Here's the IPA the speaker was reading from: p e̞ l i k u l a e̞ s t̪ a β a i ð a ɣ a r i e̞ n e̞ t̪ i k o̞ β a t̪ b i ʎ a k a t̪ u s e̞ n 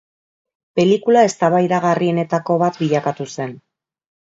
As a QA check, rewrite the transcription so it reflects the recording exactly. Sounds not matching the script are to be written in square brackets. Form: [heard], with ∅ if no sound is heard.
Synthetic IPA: p e̞ l i k u l a e̞ s t̪ a β a [j] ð a ɣ a r i e̞ n e̞ t̪ [a] k o̞ β a t̪ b i ʎ a k a t̪ u s e̞ n